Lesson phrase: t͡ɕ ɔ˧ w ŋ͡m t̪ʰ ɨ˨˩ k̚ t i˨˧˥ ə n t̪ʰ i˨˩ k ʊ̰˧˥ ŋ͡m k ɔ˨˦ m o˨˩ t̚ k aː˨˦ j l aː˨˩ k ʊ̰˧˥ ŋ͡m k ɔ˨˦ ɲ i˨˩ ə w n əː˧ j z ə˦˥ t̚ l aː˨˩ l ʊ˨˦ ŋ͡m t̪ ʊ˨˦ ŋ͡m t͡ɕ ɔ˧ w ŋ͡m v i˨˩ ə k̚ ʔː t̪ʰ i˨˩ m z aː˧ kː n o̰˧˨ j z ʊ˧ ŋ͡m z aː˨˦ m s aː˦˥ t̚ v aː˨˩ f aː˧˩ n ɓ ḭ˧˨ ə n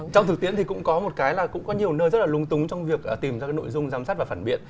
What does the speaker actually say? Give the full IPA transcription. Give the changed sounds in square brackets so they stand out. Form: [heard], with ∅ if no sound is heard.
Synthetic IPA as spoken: t͡ɕ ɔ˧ w ŋ͡m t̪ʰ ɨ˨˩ k̚ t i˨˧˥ ə n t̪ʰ i˨˩ k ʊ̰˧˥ ŋ͡m k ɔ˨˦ m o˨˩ t̚ k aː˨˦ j l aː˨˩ k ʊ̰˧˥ ŋ͡m k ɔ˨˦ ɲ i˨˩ ə w n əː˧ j z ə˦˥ t̚ l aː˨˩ l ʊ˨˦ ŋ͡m t̪ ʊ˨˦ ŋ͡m t͡ɕ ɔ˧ w ŋ͡m v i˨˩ ə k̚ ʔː [t̪] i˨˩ m z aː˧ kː n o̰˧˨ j z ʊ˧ ŋ͡m z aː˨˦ m s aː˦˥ t̚ v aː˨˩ f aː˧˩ n ɓ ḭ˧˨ ə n

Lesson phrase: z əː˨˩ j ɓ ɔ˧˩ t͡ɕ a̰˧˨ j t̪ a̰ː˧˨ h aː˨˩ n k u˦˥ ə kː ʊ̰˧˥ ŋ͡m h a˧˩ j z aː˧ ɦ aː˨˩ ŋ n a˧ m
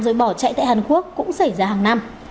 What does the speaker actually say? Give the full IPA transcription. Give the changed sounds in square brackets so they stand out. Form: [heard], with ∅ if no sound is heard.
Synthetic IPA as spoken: z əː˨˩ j ɓ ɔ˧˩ t͡ɕ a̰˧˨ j t̪ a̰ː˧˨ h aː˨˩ n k u˦˥ ə kː ʊ̰˧˥ ŋ͡m [s] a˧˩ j z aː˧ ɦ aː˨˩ ŋ n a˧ m

